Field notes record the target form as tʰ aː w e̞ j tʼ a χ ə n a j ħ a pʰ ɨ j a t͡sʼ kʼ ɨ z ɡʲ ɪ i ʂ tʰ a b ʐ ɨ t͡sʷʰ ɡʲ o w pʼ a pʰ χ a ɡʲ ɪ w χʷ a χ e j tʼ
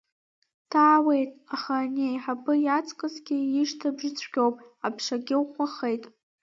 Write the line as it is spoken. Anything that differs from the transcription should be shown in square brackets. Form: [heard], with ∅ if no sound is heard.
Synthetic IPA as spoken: tʰ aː w e̞ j tʼ a χ [a] n [e] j ħ a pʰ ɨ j a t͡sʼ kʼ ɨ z ɡʲ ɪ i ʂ tʰ a b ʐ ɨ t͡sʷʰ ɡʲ o w pʼ a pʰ [ʂ] a ɡʲ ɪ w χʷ a χ e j tʼ